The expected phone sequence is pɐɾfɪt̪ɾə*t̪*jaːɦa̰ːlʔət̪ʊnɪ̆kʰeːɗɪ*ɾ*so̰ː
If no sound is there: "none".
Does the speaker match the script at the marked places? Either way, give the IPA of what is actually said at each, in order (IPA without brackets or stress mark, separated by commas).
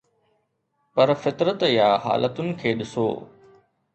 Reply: t̪, none